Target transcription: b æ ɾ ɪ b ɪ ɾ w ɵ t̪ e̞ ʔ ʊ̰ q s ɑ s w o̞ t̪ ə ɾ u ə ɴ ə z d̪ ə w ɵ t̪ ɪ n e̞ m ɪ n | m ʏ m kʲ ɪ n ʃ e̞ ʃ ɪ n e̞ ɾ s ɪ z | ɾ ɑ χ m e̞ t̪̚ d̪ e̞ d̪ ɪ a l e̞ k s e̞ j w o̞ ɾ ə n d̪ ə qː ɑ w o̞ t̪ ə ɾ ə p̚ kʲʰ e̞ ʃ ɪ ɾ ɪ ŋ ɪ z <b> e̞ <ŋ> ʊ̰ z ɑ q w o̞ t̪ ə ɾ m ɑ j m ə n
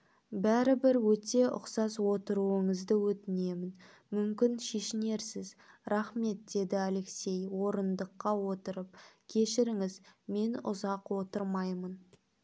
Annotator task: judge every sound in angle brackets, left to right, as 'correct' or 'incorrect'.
incorrect: m, incorrect: n

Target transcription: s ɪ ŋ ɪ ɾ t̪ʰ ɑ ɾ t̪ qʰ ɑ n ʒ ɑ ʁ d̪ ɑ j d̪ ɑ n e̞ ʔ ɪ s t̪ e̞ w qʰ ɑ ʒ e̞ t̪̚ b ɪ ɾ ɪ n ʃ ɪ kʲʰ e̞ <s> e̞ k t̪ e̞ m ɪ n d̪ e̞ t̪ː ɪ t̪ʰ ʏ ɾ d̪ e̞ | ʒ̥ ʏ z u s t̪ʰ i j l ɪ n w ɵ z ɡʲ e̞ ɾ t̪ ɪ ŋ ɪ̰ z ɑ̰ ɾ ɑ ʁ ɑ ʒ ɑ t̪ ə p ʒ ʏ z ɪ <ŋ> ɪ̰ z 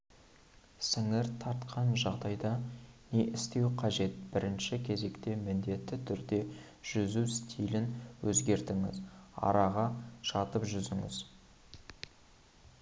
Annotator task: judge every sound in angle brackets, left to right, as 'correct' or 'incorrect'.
incorrect: z, correct

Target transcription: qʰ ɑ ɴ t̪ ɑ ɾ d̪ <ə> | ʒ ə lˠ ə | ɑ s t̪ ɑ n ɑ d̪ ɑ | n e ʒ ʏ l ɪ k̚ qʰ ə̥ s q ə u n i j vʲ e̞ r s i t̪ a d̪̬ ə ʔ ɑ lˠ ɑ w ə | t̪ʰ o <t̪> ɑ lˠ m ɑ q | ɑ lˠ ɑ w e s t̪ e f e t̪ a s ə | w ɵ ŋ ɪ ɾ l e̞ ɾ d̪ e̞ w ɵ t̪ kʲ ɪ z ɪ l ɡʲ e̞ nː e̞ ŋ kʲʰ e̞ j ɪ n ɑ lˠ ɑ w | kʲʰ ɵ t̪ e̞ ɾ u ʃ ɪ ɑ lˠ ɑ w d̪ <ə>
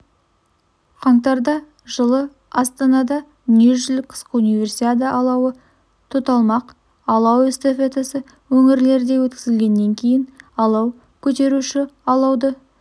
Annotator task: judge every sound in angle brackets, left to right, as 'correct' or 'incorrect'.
incorrect: ɑ, correct, correct

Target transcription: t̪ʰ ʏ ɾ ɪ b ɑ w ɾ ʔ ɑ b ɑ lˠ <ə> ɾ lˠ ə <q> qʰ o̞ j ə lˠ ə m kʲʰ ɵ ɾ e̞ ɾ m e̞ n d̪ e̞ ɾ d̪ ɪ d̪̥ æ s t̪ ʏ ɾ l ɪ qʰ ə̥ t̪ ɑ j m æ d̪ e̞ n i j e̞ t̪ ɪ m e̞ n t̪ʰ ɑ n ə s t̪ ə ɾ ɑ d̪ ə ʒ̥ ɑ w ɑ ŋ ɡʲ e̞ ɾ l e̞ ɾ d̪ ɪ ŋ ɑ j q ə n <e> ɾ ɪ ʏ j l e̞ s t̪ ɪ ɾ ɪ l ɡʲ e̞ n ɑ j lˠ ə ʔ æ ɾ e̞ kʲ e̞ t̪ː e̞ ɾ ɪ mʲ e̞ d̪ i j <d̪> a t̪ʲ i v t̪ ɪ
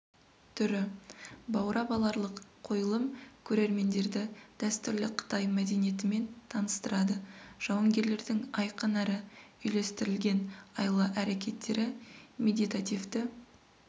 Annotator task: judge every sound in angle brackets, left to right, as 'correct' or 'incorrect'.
incorrect: ɑ, correct, incorrect: æ, incorrect: t̪

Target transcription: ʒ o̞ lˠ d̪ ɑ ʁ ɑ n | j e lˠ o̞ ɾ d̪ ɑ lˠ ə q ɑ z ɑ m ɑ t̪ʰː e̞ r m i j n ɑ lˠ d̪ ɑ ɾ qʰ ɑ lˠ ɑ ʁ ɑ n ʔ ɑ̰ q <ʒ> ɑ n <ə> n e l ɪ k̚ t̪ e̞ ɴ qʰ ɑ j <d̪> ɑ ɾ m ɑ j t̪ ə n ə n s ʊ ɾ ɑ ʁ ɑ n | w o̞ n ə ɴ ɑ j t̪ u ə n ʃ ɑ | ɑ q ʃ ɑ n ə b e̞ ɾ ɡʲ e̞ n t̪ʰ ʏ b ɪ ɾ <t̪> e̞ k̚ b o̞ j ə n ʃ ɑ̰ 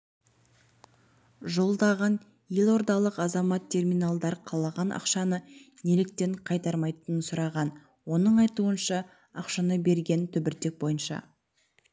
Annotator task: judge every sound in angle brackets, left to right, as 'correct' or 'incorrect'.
incorrect: ʃ, correct, incorrect: t̪, correct

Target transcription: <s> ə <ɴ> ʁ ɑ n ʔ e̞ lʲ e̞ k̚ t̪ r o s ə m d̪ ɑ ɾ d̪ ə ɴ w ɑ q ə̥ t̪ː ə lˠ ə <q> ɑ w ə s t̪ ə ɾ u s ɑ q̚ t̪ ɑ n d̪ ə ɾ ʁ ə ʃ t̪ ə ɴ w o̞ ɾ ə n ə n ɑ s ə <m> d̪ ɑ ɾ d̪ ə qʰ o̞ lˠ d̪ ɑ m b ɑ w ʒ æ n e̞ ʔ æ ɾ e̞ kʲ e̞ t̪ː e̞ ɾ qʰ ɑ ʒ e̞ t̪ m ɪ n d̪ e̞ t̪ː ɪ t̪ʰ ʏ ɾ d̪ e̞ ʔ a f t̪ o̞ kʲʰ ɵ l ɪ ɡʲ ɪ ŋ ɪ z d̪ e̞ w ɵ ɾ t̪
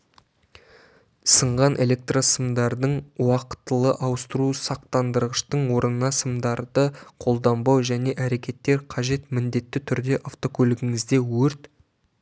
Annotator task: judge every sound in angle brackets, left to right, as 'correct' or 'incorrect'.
correct, correct, incorrect: ʔ, correct

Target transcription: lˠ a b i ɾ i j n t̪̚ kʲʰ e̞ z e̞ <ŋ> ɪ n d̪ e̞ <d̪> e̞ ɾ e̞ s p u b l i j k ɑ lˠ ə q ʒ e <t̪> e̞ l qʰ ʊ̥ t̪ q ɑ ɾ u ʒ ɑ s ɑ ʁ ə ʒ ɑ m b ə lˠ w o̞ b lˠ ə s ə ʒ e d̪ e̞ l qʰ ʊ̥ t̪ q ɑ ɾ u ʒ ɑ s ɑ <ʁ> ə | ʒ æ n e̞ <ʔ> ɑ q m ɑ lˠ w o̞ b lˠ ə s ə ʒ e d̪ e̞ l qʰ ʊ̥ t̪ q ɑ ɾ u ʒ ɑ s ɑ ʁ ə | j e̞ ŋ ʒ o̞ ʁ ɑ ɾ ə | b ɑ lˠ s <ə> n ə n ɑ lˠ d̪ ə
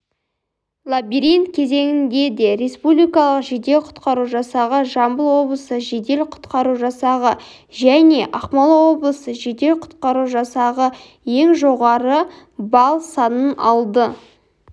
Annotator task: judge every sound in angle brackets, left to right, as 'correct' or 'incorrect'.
correct, correct, incorrect: d̪, correct, correct, incorrect: ɑ

